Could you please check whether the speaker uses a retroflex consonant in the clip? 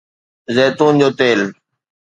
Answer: no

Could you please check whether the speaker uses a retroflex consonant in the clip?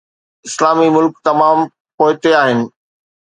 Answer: no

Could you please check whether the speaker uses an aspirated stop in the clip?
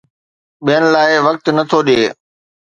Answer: yes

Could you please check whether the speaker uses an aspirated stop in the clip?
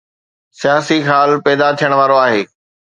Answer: yes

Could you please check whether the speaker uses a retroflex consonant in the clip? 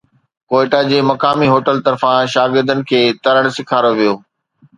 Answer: yes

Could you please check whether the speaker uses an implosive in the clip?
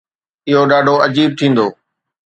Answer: yes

